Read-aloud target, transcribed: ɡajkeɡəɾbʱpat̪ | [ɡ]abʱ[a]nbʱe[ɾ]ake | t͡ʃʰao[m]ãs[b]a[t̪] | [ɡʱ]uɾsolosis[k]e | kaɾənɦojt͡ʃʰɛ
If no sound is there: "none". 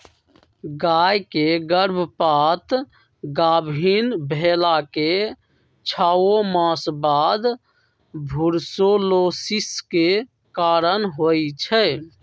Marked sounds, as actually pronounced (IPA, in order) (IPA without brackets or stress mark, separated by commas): ɡ, i, l, m, b, d̪, bʱ, k